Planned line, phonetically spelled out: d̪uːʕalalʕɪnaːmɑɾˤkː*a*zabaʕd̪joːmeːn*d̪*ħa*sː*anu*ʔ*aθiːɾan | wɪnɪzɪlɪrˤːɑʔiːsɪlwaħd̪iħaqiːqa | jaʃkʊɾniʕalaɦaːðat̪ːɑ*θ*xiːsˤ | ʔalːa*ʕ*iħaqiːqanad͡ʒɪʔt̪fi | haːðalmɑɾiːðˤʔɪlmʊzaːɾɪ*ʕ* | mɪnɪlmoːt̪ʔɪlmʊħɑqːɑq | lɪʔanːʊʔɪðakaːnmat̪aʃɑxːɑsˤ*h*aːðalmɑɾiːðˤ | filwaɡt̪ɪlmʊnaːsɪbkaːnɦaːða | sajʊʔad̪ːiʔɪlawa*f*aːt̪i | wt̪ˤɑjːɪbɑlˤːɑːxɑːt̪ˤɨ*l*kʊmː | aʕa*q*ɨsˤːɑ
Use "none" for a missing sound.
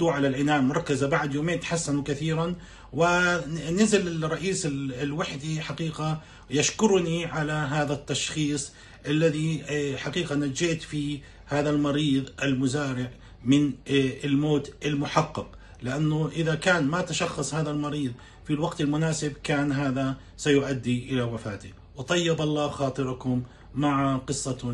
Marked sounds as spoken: a, t̪, sː, k, ʃ, ð, ʕ, h, f, ɾ, q

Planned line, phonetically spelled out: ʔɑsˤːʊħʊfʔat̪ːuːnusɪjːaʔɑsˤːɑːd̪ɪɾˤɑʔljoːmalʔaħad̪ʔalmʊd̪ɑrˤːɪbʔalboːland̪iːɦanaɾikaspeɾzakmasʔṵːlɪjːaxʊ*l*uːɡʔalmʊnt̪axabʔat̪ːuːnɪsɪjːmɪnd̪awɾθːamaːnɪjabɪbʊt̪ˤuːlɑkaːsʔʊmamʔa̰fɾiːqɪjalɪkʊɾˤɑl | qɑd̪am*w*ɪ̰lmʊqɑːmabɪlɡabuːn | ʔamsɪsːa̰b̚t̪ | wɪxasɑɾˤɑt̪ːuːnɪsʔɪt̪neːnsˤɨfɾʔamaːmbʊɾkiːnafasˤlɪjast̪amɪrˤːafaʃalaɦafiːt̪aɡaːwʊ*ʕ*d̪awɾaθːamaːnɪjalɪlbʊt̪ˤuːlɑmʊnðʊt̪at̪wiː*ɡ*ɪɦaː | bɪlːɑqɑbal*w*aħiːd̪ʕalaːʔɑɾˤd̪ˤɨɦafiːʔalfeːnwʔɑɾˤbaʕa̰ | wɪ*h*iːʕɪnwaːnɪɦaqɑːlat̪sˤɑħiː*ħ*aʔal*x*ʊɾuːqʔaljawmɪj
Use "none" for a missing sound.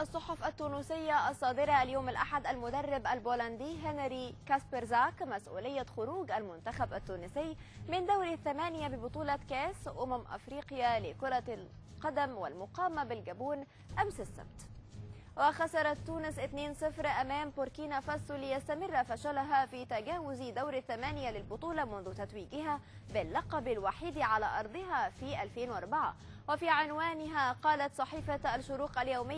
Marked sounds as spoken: ɾ, w, z, ɡ, w, f, f, ʃ

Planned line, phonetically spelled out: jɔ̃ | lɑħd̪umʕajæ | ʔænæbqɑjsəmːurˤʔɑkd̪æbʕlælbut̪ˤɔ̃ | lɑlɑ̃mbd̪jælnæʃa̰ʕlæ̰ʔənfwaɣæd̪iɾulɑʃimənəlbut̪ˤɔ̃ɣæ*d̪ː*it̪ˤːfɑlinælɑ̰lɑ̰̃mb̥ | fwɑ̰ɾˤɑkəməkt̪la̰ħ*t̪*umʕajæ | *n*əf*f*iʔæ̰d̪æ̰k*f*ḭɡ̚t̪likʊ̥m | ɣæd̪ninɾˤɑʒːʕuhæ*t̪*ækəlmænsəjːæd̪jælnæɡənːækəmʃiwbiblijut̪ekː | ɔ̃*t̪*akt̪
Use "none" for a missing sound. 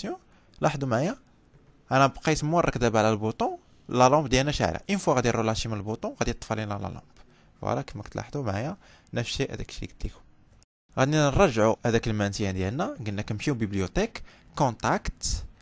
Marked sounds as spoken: d̪, d̪, n, ʃ, ʃ, d̪, t̪

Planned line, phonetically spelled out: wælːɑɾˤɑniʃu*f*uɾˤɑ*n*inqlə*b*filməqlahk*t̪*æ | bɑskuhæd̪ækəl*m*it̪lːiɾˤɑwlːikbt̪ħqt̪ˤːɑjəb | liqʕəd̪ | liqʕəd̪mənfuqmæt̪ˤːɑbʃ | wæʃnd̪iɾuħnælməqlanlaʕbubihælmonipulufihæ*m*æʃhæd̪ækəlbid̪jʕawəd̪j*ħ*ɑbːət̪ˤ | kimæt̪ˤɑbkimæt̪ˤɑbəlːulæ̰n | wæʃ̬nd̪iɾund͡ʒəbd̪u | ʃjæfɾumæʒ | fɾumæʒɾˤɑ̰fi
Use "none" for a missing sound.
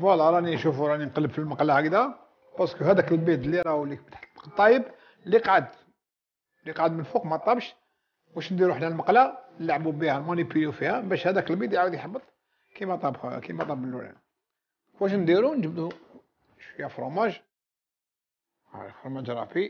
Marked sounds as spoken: f, n, b, d̪, b, b, ħ

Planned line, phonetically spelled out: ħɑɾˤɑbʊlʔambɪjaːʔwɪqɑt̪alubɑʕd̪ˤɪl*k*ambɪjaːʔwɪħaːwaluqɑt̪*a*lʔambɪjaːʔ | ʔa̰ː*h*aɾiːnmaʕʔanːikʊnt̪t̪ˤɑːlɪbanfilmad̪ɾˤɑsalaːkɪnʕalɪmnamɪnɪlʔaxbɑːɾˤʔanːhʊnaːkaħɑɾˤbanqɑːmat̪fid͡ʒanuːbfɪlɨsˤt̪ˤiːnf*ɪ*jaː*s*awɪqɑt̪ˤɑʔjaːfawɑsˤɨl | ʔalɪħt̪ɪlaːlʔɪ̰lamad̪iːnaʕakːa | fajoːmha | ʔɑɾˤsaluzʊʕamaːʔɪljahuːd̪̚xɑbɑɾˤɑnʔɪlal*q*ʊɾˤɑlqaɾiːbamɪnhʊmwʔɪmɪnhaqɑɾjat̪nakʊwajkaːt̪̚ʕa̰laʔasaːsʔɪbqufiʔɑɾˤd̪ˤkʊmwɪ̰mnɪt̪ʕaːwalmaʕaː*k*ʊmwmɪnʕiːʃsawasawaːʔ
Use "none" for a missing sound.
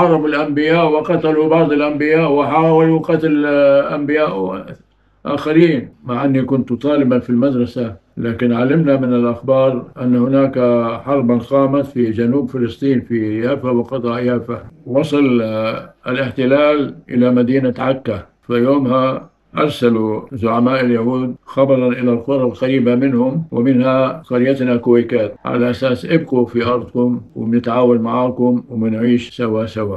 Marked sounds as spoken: ʔ, a, x, i, f, q, k

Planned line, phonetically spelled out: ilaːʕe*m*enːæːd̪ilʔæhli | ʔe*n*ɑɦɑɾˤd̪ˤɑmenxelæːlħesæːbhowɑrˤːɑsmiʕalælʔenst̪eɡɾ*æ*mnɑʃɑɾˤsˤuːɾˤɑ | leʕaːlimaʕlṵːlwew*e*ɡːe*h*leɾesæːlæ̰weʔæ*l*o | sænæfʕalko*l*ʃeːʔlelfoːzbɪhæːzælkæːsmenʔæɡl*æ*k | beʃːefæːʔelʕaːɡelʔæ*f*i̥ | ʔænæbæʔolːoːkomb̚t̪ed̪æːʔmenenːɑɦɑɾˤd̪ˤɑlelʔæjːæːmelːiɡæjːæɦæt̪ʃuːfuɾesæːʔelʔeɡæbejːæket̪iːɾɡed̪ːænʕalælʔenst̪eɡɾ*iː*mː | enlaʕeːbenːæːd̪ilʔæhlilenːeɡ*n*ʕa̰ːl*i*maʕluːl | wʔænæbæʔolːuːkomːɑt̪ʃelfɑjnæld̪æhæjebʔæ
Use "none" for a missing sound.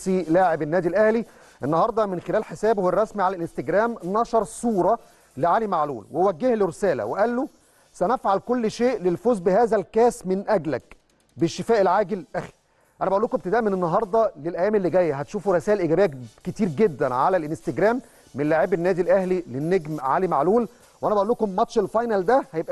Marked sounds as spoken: b, nː, æː, æ, h, lː, lː, æ, x, æː, m, i

